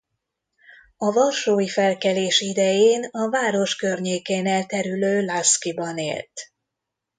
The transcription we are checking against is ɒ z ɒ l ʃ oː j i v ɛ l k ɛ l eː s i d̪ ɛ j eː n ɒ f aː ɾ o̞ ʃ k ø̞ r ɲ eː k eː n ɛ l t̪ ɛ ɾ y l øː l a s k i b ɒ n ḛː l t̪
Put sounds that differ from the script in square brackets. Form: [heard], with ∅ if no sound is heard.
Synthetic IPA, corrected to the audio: ɒ [v] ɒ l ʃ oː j i [f] ɛ l k ɛ l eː [ʃ] i d̪ ɛ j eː n ɒ [v] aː ɾ o̞ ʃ k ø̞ r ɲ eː k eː n ɛ l t̪ ɛ ɾ y l øː l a s k i b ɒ n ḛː l t̪